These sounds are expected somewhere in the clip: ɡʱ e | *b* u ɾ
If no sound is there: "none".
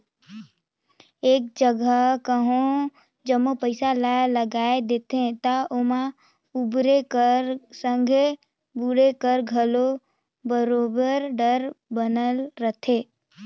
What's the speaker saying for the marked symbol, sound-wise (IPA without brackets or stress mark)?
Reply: b